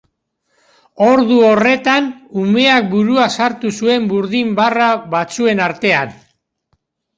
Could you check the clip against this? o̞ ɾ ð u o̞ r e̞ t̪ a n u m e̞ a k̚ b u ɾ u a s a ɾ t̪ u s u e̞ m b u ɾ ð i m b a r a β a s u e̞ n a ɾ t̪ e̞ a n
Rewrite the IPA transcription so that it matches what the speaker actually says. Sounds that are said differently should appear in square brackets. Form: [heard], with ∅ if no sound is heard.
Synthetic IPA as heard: o̞ ɾ ð u o̞ r e̞ t̪ a n u m e̞ a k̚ b u ɾ u a s a ɾ t̪ u s u e̞ m b u ɾ ð i m b a r a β a [t͡s] u e̞ n a ɾ t̪ e̞ a n